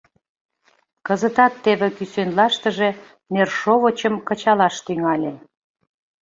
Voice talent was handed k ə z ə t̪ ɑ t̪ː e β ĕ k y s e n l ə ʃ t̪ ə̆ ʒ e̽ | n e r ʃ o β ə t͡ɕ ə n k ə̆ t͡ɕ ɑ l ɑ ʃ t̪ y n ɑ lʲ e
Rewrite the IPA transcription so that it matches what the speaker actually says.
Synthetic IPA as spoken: k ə z ə t̪ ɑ t̪ː e β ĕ k y s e n l ɑ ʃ t̪ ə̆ ʒ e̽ | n e r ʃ o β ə t͡ɕ ə m k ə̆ t͡ɕ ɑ l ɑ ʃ t̪ y ŋ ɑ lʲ e